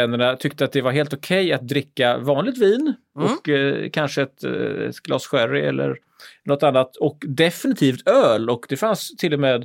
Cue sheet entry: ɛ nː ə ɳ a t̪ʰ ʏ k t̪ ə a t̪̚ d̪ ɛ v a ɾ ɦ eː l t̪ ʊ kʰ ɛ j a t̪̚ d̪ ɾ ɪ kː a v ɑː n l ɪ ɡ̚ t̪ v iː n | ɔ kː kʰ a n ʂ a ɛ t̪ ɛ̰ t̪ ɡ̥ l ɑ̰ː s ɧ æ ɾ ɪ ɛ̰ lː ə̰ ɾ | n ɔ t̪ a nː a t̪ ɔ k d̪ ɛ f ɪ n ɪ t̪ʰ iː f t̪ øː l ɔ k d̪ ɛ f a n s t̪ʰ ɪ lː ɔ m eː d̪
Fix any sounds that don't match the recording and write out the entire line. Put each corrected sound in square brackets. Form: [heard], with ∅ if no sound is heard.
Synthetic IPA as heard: ɛ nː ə ɳ a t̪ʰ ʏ k t̪ ə a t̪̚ d̪ ɛ v a ɾ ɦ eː l t̪ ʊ kʰ ɛ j a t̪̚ d̪ ɾ ɪ kː a v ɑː n l ɪ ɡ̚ t̪ v iː n | ɔ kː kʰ a n ʂ [ə] ɛ t̪ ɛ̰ t̪ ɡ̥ l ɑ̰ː s ɧ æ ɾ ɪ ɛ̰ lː ə̰ ɾ | n ɔ t̪ a nː a t̪ ɔ k d̪ ɛ f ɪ n ɪ t̪ʰ iː f t̪ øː l ɔ k d̪ ɛ f a n s t̪ʰ ɪ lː ɔ m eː d̪